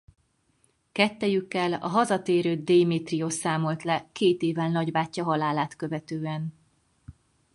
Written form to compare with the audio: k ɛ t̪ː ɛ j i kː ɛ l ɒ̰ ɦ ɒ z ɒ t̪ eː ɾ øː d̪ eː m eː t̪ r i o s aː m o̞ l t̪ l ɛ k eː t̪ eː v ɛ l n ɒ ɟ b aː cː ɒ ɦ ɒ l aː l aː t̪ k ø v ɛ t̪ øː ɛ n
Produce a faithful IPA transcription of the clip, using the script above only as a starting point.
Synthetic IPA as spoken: k ɛ t̪ː ɛ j y kː ɛ l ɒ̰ ɦ ɒ z ɒ t̪ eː ɾ øː d̪ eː m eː t̪ r i o s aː m o̞ l t̪ l ɛ k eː t̪ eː v ɛ l n ɒ ɟ b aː cː ɒ ɦ ɒ l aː l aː t̪ k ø v ɛ t̪ øː ɛ n

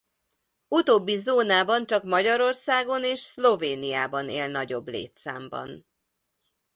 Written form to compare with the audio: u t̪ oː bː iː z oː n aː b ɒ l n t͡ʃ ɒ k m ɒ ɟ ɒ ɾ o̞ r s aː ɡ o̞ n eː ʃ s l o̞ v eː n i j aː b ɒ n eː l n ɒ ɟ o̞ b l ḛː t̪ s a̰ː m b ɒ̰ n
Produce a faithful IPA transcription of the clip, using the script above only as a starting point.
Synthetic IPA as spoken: u t̪ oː bː i z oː n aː b ɒ n t͡ʃ ɒ k m ɒ ɟ ɒ ɾ o̞ r s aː ɡ o̞ n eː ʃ s l o̞ v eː n i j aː b ɒ n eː l n ɒ ɟ o̞ b l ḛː t̪ s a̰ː m b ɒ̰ n

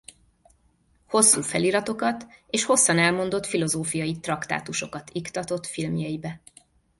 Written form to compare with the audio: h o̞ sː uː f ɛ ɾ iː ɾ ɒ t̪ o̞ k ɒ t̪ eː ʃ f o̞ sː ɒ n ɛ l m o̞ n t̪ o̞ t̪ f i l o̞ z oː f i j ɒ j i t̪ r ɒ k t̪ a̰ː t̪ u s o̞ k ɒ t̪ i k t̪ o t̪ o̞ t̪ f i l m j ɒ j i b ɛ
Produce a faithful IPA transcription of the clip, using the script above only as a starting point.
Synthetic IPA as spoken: h o̞ sː uː f ɛ l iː ɾ ɒ t̪ o̞ k ɒ t̪ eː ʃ h o̞ sː ɒ n ɛ l m o̞ n d̪ o̞ t̪ f i l o̞ z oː f i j ɒ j i t̪ r ɒ k t̪ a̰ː t̪ u ʃ o̞ k ɒ t̪ i k t̪ ɒ t̪ o̞ t̪ f i l m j ɒ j i b ɛ

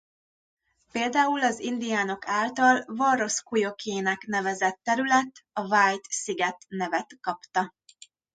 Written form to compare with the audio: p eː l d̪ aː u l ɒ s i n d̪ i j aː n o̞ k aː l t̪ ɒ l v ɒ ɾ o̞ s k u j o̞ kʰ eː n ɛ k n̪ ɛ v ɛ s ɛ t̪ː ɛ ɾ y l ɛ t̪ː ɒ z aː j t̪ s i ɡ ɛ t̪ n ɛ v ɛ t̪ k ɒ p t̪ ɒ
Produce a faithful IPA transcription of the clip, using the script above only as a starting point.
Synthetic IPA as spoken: p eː l d̪ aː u l ɒ z i n d̪ i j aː n o̞ k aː l t̪ ɒ l v ɒ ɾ o̞ s k u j o̞ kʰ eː n ɛ k n̪ ɛ v ɛ z ɛ t̪ː ɛ ɾ y l ɛ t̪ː ɒ v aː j t̪ s i ɡ ɛ t̪ n ɛ v ɛ t̪ k ɒ p t̪ ɒ

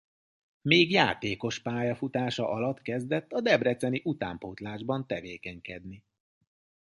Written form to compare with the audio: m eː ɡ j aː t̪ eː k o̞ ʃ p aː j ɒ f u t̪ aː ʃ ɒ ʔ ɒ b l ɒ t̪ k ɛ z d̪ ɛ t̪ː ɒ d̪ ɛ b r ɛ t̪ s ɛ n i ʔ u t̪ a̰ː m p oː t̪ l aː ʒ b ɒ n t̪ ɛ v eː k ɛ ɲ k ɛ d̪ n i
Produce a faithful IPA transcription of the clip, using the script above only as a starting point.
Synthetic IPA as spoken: m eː ɡ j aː t̪ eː k o̞ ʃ p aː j ɒ f u t̪ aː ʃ ɒ ʔ ɒ l ɒ t̪ k ɛ z d̪ ɛ t̪ː ɒ d̪ ɛ b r ɛ t̪ s ɛ n i ʔ u t̪ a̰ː m p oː t̪ l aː ʒ b ɒ n t̪ ɛ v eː k ɛ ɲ k ɛ d̪ n i

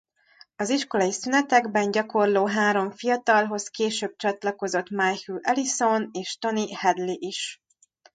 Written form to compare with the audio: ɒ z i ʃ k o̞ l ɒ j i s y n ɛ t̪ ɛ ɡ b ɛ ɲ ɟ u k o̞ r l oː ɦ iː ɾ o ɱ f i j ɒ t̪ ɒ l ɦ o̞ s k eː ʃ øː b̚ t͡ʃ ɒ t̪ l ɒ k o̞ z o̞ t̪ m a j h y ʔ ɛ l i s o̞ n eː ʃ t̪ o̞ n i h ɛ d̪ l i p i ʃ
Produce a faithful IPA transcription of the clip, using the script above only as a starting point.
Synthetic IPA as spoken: ɒ z i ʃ k o̞ l ɒ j i s y n ɛ t̪ ɛ ɡ b ɛ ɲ ɟ ɒ k o̞ r l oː ɦ aː ɾ o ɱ f i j ɒ t̪ ɒ l ɦ o̞ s k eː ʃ øː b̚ t͡ʃ ɒ t̪ l ɒ k o̞ z o̞ t̪ m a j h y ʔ ɛ l i s o̞ n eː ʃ t̪ o̞ n i h ɛ d̪ l i ʔ i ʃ

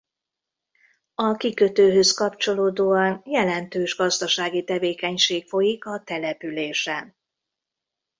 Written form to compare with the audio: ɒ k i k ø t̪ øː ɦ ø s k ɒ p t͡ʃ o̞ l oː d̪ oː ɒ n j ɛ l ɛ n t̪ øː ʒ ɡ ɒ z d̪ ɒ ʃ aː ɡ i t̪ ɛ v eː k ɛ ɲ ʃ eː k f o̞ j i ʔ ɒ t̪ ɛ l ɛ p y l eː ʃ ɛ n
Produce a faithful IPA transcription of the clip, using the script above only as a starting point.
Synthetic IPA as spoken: ɒ k i k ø t̪ øː ɦ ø s k ɒ p t͡ʃ o̞ l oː d̪ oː ɒ n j ɛ l ɛ n t̪ øː ʒ ɡ ɒ z d̪ ɒ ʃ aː ɡ i t̪ ɛ v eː k ɛ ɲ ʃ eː k f o̞ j i k ɒ t̪ ɛ l ɛ p y l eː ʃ ɛ n

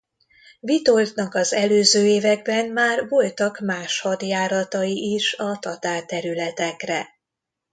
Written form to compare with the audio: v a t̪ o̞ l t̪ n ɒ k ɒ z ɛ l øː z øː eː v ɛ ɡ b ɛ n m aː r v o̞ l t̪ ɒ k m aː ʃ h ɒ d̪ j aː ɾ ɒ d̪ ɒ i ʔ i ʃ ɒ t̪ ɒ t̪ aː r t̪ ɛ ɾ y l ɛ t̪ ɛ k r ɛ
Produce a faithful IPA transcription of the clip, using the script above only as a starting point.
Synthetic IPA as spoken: v i t̪ o̞ l t̪ n ɒ k ɒ z ɛ l øː z øː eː v ɛ ɡ b ɛ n m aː r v o̞ l t̪ ɒ k m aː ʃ h ɒ d̪ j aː ɾ ɒ t̪ ɒ i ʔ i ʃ ɒ t̪ ɒ t̪ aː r t̪ ɛ ɾ y l ɛ t̪ ɛ k r ɛ

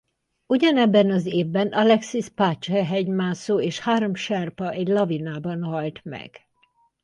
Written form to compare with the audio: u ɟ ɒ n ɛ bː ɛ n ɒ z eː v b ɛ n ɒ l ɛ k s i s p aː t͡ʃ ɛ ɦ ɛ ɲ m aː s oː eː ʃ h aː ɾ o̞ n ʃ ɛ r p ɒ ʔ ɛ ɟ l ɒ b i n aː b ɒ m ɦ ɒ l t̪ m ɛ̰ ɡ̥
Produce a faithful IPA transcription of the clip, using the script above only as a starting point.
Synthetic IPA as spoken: u ɟ ɒ n ɛ bː ɛ n ɒ z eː v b ɛ n ɒ l ɛ k s i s p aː t͡ʃ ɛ ɦ ɛ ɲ m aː s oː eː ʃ h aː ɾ o̞ m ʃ ɛ r p ɒ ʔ ɛ ɟ l ɒ v i n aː b ɒ n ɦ ɒ l t̪ m ɛ̰ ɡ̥

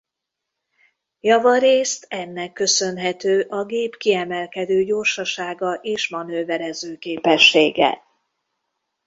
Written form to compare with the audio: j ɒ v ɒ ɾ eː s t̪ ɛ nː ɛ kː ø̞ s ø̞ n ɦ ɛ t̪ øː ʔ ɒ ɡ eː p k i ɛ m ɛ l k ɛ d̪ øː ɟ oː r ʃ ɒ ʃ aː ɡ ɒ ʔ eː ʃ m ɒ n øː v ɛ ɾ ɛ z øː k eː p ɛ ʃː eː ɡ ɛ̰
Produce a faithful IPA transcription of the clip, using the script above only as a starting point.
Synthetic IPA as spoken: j ɒ v ɒ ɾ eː s t̪ ɛ nː ɛ kː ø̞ s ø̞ n ɦ ɛ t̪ øː ʔ ɒ ɡ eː p k i ɛ m ɛ l k ɛ d̪ øː ɟ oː r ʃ ɒ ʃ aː ɡ ɒ ʔ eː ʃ m ɒ n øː v ɛ ɾ ɛ z øː k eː p ɛ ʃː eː ɡ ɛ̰

